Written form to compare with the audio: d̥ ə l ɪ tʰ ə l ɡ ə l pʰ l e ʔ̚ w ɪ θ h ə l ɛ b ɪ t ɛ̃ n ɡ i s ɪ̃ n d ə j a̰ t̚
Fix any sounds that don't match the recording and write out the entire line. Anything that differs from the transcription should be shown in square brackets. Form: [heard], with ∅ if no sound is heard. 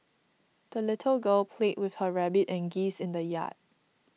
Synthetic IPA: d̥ ə l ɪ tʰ ə l ɡ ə l pʰ l e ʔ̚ w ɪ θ h ə [ɹ] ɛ b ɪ t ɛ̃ n ɡ i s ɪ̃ n d ə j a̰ t̚